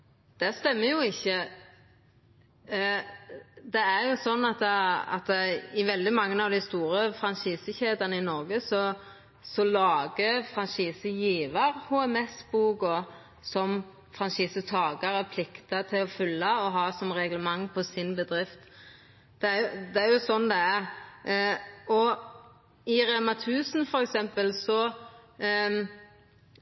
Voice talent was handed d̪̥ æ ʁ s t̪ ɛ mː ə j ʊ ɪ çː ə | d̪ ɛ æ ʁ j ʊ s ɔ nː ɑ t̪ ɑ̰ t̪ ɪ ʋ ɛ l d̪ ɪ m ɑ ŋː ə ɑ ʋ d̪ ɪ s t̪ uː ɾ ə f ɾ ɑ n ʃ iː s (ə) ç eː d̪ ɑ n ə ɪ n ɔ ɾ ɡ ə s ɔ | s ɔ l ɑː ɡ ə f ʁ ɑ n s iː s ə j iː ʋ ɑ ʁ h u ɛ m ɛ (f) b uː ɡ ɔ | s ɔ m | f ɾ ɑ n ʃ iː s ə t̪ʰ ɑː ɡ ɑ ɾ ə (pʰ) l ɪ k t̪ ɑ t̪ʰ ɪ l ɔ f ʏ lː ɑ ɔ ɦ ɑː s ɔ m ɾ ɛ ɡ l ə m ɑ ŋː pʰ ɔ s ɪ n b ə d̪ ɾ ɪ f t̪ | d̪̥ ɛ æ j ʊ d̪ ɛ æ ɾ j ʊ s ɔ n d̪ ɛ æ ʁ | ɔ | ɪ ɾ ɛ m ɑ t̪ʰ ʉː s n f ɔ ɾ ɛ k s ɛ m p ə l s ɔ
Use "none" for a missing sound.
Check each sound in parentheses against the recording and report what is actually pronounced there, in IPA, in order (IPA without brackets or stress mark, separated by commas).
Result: ə, s, pʰ